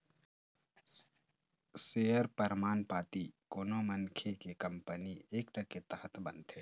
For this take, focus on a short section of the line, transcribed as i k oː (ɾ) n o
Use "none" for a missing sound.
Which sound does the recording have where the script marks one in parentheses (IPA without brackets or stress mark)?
none